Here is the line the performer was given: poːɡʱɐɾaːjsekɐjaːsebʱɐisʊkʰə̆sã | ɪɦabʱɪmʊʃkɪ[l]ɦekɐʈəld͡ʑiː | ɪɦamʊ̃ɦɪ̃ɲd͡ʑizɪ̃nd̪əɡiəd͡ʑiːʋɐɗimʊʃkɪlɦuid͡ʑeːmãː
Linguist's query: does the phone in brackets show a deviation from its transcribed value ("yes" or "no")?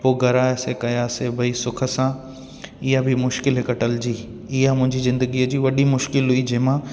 no